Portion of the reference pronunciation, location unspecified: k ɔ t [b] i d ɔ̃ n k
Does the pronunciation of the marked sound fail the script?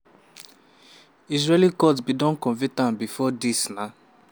no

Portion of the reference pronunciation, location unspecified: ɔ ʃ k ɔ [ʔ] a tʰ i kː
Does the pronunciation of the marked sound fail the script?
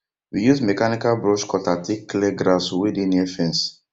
yes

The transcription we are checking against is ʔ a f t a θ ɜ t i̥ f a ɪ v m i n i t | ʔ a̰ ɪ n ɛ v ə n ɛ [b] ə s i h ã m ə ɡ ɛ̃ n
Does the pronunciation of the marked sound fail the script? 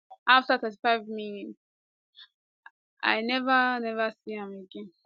yes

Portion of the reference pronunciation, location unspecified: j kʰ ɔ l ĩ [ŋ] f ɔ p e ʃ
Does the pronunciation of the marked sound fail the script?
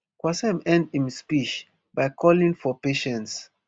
no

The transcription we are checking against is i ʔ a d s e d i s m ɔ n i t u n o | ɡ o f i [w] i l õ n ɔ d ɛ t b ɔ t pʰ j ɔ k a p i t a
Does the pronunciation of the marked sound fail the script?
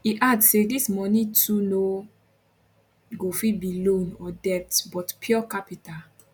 yes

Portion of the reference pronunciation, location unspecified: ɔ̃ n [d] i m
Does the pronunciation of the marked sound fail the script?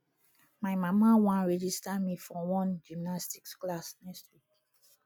yes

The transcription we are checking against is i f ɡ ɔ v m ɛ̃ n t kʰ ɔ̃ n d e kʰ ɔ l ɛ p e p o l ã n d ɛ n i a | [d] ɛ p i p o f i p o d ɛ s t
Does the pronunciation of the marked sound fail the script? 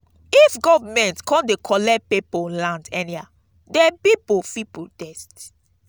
no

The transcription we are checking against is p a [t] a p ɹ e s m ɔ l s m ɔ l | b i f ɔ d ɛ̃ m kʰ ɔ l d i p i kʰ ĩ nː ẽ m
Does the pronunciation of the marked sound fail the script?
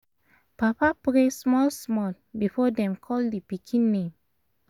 yes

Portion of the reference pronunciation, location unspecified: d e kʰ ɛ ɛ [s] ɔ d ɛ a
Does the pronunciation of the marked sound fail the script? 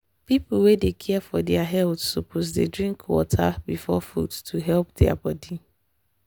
yes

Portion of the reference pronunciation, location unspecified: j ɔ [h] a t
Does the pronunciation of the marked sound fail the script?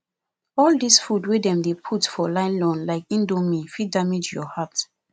no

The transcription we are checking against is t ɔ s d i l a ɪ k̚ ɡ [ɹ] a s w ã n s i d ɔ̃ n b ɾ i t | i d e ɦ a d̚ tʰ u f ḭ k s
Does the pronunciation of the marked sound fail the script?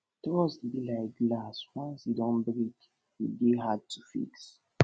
yes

